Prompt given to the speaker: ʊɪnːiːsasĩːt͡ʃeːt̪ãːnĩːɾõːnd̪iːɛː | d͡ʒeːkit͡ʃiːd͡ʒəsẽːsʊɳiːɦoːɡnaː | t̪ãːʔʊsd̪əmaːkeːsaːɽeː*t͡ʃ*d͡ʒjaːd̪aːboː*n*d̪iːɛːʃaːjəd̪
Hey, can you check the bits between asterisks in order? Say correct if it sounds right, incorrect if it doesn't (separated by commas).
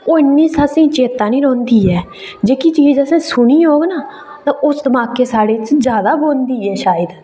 correct, correct